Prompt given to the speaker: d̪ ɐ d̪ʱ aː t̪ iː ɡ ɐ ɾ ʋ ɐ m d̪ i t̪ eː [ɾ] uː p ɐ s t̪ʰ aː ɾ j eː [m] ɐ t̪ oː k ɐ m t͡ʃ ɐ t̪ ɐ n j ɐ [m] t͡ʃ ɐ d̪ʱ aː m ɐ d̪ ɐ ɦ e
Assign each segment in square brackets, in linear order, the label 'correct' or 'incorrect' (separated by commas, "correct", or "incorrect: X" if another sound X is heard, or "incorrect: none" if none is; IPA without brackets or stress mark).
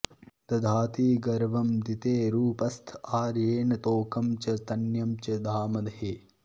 correct, incorrect: n, correct